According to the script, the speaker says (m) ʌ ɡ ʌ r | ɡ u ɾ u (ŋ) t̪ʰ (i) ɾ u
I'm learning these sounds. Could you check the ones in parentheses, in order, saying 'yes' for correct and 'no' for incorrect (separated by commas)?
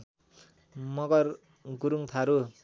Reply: yes, yes, no